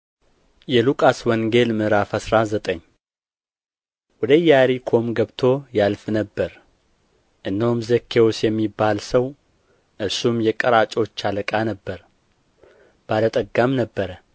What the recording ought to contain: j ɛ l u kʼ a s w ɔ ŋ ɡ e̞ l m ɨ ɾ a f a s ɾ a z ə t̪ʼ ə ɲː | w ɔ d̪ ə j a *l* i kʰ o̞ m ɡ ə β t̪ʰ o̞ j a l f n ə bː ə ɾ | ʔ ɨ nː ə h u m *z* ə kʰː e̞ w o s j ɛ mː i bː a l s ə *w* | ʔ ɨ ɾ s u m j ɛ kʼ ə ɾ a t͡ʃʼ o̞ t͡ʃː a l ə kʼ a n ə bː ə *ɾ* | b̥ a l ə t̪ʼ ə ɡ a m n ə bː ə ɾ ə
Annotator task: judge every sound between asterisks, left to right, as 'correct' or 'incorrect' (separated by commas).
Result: incorrect, correct, correct, correct